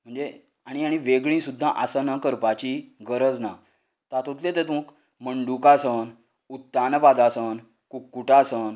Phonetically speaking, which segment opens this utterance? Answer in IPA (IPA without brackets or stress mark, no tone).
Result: m̤